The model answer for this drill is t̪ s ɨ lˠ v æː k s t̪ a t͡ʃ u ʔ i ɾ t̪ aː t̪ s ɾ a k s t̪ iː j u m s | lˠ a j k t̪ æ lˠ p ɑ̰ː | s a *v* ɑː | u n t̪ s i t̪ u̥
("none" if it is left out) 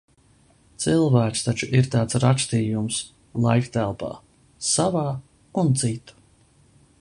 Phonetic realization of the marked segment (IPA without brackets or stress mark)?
v